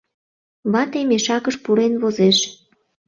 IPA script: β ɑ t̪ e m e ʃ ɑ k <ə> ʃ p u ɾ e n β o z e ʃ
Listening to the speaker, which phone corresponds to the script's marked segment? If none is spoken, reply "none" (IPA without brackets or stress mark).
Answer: ə